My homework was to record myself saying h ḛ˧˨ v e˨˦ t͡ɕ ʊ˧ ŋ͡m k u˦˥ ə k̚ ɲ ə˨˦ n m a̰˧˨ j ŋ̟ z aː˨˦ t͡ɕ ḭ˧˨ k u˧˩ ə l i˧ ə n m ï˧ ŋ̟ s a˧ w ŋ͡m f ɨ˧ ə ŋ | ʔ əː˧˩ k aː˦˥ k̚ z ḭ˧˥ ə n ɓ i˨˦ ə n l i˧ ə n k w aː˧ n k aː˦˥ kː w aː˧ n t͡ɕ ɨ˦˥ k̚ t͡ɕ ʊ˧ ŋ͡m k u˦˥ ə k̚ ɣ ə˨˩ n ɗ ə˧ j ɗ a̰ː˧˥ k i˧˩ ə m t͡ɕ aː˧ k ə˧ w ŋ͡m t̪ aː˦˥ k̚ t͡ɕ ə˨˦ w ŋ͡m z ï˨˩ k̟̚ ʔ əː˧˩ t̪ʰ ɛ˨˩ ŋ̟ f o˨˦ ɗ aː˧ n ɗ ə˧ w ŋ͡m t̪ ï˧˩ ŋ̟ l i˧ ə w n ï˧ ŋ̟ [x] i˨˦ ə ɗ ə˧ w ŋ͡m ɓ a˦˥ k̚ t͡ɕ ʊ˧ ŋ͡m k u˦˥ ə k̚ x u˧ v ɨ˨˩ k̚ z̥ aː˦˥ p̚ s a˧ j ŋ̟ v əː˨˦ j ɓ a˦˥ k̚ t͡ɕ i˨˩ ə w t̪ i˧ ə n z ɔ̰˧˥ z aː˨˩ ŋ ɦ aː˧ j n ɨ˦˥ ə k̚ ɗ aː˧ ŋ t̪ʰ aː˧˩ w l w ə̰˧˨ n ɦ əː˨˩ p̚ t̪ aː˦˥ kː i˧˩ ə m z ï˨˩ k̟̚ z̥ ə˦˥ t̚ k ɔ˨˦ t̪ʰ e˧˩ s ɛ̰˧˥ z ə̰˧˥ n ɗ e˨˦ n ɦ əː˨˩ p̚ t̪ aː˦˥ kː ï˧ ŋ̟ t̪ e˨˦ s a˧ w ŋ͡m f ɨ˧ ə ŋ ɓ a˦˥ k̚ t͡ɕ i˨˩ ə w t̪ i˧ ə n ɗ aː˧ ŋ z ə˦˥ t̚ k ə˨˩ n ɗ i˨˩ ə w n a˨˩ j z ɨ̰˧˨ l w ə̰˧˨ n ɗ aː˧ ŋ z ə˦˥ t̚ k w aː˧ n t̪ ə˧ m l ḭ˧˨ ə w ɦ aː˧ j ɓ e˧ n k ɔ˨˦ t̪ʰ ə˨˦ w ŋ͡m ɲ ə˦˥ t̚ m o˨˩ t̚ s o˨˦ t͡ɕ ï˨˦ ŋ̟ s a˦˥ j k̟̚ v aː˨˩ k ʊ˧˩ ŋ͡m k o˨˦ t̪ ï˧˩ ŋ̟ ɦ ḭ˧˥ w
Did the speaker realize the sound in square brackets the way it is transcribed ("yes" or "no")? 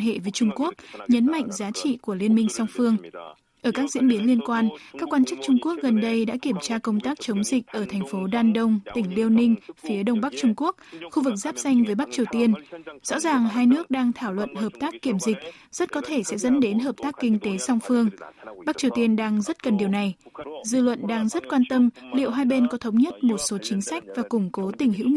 no